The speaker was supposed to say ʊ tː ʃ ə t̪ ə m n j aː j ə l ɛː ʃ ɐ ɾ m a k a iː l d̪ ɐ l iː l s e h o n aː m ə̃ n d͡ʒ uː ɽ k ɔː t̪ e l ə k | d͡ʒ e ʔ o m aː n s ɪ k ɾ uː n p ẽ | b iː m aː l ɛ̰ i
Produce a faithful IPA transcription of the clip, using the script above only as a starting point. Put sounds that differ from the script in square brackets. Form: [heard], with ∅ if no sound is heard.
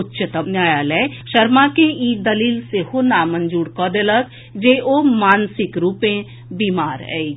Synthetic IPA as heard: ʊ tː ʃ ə t̪ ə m n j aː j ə l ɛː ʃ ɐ ɾ m a k [e] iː [∅] d̪ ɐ l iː l s e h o n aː m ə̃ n d͡ʒ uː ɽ k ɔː [d̪] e l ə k | d͡ʒ e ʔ o m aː n s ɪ k ɾ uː [∅] p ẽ | b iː m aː [ɾ] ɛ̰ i